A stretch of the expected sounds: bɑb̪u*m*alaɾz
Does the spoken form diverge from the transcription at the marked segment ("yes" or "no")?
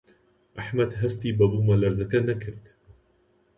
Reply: no